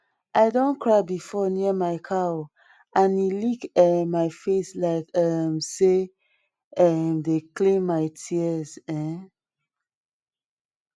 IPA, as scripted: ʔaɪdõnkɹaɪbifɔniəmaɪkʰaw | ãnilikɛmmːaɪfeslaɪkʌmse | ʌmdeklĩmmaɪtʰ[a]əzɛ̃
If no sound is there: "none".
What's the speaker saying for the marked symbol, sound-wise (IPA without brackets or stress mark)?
i